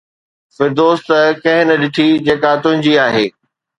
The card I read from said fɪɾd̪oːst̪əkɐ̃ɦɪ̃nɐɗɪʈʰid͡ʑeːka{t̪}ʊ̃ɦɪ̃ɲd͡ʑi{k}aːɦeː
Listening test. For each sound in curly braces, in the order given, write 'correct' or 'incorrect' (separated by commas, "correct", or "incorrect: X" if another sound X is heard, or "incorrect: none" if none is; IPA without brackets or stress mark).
correct, incorrect: none